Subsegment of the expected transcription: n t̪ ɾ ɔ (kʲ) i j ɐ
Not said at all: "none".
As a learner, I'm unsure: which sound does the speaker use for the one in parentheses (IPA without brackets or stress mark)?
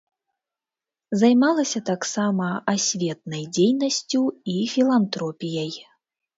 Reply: pʲ